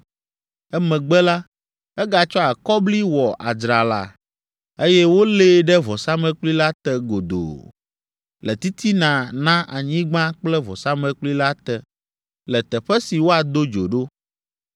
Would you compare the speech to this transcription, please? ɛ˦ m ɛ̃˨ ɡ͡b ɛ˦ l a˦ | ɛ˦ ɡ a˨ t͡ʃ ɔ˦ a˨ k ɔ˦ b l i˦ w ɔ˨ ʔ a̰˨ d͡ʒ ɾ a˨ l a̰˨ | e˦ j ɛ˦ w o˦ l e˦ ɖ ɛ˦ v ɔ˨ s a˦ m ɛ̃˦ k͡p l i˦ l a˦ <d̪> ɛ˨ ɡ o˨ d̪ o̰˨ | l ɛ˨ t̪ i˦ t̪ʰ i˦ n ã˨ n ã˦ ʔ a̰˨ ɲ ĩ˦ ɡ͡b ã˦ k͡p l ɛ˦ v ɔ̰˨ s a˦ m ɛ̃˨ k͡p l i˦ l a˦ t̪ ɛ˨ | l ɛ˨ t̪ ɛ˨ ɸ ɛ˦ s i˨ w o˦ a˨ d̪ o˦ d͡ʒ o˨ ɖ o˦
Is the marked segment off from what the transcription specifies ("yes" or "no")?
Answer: yes